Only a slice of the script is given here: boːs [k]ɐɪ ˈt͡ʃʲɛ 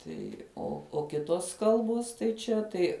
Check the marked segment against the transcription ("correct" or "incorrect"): incorrect